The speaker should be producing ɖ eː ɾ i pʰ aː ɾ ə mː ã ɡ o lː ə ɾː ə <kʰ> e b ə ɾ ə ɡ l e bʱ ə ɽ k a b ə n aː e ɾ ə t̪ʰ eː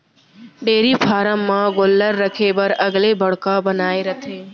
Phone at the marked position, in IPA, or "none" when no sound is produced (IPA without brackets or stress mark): kʰ